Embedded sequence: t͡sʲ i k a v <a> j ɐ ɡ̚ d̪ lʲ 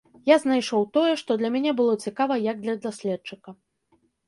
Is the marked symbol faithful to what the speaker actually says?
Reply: no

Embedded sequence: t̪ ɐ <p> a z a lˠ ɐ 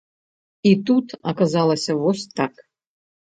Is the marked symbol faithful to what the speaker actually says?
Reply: no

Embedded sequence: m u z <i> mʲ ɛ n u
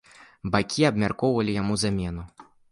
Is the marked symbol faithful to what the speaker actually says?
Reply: no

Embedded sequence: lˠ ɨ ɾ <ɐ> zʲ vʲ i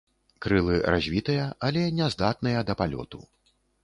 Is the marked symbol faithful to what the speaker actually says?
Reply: no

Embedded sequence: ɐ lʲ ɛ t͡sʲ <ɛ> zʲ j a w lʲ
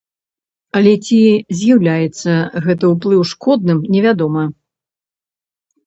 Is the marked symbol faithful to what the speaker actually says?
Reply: no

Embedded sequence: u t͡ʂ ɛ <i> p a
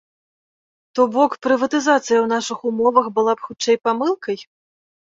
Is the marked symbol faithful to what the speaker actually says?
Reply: no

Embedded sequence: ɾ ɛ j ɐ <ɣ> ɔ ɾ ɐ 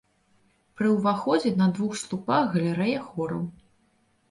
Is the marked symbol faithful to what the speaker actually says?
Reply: no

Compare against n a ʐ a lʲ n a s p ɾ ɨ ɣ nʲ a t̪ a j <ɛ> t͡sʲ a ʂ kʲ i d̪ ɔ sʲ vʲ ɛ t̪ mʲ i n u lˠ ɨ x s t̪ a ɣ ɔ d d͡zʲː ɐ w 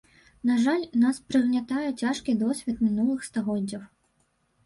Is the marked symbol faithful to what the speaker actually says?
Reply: yes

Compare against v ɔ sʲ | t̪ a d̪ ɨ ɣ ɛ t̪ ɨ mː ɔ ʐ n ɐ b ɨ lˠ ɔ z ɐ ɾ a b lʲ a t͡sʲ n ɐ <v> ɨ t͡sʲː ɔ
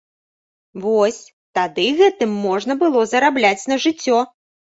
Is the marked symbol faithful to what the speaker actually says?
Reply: no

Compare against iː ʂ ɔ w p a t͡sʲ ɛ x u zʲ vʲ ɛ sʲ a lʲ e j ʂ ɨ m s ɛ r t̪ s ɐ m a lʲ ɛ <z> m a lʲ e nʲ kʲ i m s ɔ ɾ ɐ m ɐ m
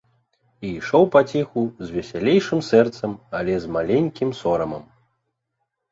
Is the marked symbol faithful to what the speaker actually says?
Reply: yes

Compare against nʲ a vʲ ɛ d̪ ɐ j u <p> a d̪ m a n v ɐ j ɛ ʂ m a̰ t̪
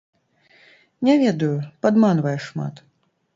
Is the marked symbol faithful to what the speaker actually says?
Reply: yes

